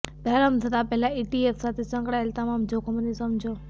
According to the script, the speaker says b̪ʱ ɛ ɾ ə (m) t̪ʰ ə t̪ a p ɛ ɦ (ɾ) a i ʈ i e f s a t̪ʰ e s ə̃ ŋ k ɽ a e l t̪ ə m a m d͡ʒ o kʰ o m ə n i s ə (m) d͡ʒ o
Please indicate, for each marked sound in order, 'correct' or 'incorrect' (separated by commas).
correct, incorrect, correct